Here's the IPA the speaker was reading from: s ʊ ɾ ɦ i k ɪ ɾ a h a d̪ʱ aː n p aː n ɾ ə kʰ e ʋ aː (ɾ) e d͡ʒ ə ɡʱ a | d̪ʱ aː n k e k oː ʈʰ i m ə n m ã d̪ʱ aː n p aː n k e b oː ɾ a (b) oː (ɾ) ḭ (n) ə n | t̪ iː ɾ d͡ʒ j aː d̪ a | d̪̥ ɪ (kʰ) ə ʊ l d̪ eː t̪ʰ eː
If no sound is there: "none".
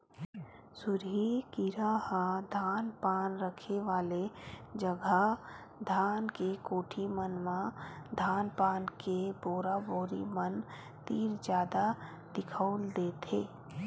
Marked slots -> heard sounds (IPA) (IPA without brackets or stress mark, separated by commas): l, b, ɾ, m, kʰ